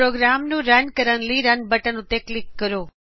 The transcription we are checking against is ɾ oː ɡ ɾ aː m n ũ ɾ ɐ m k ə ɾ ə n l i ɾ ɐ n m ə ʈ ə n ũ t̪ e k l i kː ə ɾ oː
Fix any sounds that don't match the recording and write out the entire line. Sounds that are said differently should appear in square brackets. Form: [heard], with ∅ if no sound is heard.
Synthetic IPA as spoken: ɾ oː ɡ ɾ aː m n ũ ɾ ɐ [n] k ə ɾ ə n l i ɾ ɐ n [b] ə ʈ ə n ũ t̪ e k l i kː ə ɾ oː

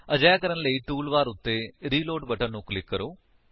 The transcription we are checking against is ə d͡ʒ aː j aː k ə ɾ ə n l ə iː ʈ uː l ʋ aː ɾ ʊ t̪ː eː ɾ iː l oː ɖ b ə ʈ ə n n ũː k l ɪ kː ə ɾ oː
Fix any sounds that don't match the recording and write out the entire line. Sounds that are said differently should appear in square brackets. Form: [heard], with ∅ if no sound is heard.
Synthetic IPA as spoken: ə d͡ʒ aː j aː k ə ɾ ə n l ə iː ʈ uː l ʋ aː ɾ ʊ t̪ː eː ɾ iː l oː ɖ b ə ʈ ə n n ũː k l ɪ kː ə ɾ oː

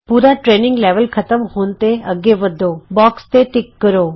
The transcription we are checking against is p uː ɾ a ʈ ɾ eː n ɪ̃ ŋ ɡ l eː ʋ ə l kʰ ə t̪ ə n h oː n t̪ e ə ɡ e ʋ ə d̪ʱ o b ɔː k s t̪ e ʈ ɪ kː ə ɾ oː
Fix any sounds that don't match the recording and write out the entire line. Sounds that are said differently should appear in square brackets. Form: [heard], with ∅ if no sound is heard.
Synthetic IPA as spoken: p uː ɾ a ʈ ɾ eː n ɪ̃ ŋ ɡ l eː ʋ ə l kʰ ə t̪ ə [m] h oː n t̪ e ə ɡ e ʋ ə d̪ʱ o b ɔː k s t̪ e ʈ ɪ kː ə ɾ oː

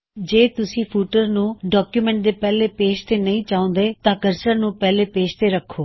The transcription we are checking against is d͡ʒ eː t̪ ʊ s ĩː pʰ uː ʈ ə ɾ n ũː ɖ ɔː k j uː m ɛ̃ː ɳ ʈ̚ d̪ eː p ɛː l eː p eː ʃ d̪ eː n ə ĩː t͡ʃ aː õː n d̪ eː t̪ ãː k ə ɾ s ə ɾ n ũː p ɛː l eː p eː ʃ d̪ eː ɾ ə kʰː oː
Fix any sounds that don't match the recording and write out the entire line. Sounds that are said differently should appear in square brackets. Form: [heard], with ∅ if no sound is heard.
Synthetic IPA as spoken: d͡ʒ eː t̪ ʊ s ĩː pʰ uː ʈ ə ɾ n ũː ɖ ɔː k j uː m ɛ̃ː ɳ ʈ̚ d̪ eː p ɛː l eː p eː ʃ [t̪] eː n ə ĩː t͡ʃ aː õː n d̪ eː t̪ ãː k ə ɾ s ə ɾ n ũː p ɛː l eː p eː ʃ [t̪] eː ɾ ə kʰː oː

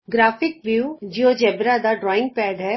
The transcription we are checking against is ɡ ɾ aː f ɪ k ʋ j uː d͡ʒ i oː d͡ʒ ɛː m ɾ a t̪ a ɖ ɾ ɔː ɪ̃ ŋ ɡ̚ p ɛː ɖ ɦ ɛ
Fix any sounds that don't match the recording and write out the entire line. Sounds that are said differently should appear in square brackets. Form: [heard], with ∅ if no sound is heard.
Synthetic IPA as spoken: ɡ ɾ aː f ɪ k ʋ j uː d͡ʒ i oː d͡ʒ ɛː [b] ɾ a [d̪] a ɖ ɾ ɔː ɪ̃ ŋ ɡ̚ p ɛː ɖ ɦ ɛ

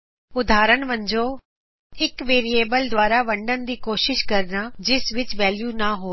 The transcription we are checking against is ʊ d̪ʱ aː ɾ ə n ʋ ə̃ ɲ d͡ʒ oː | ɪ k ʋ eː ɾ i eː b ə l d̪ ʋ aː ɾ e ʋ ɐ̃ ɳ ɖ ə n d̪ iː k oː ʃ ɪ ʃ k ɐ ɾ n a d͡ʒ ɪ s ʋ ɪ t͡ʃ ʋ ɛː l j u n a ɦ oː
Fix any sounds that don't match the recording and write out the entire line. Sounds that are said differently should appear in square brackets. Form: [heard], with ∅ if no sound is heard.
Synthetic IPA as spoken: ʊ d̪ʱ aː ɾ ə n ʋ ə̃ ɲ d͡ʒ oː | ɪ k ʋ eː ɾ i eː b ə l d̪ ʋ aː ɾ [a] ʋ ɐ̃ ɳ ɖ ə n d̪ iː k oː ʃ ɪ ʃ k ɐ ɾ n a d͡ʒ ɪ s ʋ ɪ t͡ʃ ʋ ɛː l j u n a ɦ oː

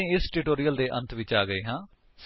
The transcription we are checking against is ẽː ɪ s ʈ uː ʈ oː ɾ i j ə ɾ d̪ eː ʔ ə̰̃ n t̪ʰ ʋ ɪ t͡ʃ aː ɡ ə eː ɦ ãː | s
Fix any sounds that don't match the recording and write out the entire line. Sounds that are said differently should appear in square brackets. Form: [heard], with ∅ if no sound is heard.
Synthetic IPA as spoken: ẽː ɪ s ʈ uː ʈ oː ɾ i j ə [l] d̪ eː ʔ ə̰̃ n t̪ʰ ʋ ɪ t͡ʃ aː ɡ ə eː ɦ ãː | s

